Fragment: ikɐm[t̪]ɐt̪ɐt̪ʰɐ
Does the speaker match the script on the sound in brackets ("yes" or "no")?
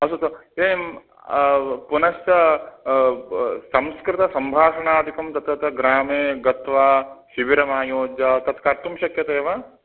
yes